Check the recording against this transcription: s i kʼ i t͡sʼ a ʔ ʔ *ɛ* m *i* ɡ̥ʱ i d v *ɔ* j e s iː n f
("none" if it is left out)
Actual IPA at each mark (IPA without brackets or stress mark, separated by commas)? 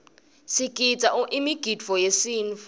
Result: i, i, ɔ